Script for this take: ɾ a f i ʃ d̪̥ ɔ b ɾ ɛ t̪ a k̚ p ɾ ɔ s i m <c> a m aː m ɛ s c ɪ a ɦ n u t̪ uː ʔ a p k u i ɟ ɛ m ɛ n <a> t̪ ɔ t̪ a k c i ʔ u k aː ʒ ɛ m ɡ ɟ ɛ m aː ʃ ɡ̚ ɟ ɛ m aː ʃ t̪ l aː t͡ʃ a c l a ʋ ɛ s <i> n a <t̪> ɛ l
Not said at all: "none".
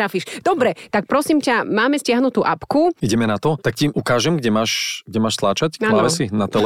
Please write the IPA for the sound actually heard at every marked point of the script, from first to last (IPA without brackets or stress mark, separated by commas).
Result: c, a, i, t̪